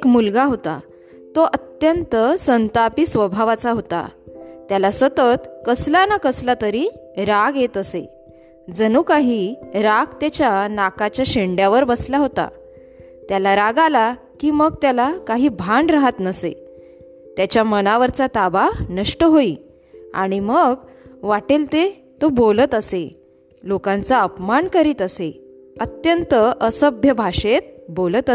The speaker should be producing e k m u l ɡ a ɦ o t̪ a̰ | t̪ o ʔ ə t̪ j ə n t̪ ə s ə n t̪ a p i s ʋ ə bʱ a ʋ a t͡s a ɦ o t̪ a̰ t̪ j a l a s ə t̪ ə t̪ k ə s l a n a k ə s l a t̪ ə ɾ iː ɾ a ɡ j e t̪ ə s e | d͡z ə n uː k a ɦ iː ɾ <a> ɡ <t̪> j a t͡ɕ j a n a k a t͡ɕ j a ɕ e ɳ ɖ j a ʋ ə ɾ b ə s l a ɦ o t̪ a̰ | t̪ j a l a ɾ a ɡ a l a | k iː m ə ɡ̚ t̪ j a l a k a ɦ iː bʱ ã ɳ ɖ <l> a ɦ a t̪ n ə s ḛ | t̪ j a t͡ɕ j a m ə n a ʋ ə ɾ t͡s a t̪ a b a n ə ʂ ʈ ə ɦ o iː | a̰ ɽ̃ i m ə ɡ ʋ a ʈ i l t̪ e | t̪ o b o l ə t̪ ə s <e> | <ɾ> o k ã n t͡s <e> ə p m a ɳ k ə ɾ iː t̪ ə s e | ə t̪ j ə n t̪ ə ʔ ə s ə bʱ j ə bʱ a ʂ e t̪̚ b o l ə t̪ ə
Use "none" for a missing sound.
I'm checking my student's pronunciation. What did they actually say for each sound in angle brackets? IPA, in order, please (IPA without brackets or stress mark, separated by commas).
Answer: a, t̪, ɾ, e, l, a